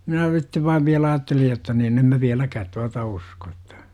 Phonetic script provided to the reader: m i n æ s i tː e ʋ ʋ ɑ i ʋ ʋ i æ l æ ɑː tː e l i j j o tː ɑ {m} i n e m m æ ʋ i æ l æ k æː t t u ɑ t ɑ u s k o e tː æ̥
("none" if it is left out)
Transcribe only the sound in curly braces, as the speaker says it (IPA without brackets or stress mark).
n